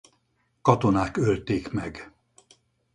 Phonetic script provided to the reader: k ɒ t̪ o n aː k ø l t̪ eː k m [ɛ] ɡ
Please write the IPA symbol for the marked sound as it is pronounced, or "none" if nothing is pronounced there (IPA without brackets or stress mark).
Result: ɛ